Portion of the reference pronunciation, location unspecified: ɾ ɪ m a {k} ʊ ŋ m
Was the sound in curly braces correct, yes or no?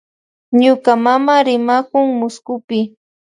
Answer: yes